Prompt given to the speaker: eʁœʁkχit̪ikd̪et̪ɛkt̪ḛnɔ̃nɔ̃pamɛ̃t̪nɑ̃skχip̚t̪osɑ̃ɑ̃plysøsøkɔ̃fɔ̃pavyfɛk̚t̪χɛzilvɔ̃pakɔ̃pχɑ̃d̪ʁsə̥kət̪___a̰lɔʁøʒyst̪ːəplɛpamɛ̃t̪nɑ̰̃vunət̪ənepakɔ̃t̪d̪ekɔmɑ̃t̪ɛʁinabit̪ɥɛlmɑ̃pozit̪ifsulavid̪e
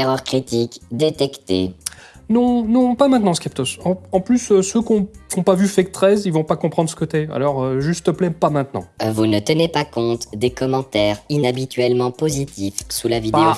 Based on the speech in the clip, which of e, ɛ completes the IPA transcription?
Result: ɛ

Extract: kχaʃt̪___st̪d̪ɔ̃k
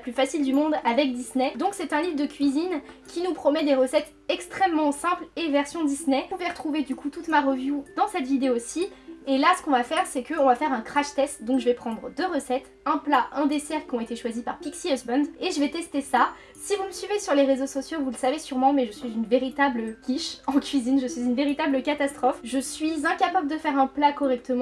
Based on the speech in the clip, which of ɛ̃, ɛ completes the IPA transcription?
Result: ɛ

